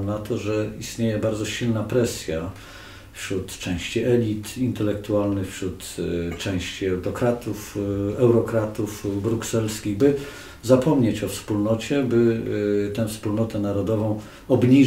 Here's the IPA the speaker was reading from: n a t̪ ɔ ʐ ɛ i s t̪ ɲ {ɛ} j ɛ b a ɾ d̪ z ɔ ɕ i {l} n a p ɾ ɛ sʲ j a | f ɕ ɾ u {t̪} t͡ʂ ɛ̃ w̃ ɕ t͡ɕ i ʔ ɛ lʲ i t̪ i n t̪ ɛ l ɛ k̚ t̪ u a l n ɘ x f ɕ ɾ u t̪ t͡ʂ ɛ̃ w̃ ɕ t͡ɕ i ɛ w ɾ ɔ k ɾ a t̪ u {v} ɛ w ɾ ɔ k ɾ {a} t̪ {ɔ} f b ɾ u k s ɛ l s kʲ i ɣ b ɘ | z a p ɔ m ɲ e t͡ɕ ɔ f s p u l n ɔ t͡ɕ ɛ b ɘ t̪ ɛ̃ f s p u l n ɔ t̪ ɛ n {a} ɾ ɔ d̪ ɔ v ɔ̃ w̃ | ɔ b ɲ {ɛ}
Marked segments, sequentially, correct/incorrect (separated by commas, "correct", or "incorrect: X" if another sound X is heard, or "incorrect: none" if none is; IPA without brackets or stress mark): incorrect: e, correct, correct, incorrect: f, correct, incorrect: u, correct, incorrect: i